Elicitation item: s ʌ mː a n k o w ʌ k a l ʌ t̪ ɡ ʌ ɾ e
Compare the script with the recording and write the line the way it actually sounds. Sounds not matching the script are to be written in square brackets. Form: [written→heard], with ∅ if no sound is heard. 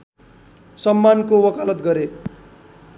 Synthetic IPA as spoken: s ʌ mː a n k o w ʌ k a l ʌ t̪ ɡ ʌ ɾ e